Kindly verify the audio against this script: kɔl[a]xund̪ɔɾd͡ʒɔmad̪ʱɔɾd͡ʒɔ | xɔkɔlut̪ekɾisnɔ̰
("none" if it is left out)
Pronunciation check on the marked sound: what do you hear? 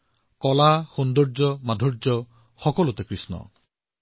a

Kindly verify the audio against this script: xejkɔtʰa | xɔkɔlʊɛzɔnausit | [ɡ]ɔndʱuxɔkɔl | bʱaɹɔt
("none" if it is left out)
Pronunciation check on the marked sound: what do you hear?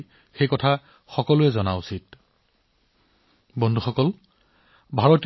b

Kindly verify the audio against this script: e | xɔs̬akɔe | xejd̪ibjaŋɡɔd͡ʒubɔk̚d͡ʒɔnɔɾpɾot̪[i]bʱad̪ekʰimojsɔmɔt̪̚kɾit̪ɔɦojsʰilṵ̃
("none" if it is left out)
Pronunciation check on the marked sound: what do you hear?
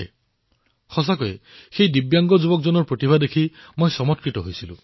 i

